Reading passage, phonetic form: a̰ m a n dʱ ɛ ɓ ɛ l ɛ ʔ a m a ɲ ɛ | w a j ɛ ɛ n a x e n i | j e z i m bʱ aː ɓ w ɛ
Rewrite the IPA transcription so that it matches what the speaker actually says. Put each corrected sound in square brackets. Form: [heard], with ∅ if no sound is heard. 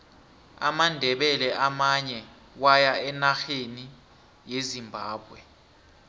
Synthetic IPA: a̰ m a n dʱ ɛ ɓ ɛ l ɛ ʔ a m a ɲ ɛ | w a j [a] ɛ n a x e n i | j e z i m bʱ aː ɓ w ɛ